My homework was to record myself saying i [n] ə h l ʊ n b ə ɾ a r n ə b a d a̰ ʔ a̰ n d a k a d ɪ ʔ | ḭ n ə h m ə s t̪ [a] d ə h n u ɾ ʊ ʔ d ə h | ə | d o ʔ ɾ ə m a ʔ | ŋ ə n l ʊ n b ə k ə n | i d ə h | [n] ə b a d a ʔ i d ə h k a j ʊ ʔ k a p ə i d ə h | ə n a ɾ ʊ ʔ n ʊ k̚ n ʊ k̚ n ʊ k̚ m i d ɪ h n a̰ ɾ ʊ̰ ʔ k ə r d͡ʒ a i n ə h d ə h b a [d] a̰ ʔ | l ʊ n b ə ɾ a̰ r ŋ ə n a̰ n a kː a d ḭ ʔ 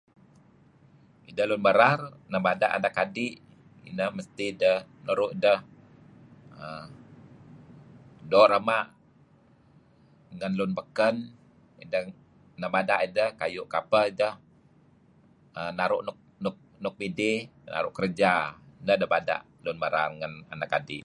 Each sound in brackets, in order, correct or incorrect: incorrect: d, incorrect: i, correct, correct

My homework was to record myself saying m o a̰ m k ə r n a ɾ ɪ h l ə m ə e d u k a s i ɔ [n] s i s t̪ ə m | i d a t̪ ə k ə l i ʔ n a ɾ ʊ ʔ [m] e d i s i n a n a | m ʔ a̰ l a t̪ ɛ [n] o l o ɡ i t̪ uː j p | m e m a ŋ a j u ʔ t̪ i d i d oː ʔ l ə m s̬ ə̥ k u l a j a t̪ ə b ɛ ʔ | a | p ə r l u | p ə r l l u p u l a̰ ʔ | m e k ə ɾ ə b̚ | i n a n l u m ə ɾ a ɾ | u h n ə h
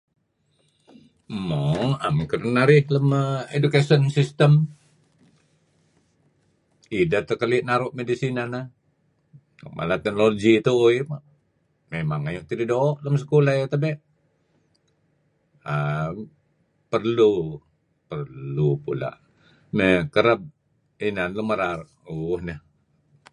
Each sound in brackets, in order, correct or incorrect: correct, correct, correct

